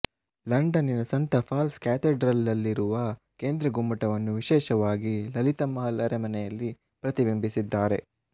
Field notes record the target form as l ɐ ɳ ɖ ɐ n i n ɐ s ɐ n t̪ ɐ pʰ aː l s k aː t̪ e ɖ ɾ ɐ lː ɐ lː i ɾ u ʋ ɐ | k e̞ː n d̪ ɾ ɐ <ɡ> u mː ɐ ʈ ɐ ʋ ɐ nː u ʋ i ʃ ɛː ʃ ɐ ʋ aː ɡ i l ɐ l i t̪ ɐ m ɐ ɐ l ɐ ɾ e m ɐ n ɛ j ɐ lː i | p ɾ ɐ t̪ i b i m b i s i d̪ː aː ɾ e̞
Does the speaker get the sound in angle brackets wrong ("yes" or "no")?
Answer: no